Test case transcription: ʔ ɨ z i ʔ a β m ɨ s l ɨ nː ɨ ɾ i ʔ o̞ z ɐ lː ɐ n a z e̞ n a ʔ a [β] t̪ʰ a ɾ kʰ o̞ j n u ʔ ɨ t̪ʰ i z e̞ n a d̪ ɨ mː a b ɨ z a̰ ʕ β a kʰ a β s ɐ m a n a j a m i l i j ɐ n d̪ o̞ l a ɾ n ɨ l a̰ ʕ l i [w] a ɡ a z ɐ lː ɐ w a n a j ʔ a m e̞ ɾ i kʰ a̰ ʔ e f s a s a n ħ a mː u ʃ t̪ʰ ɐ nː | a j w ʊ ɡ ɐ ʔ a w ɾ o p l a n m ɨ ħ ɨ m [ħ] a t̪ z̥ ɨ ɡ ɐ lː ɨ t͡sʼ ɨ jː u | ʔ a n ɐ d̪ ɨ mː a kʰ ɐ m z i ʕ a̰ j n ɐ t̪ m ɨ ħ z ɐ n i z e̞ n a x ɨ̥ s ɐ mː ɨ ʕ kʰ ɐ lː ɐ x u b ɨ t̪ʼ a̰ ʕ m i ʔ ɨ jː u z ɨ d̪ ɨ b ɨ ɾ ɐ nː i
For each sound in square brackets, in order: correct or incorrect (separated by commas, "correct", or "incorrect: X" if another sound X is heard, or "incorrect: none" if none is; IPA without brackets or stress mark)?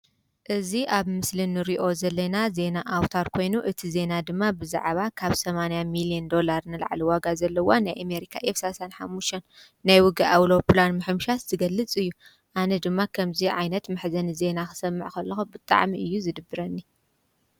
incorrect: w, correct, incorrect: ʃ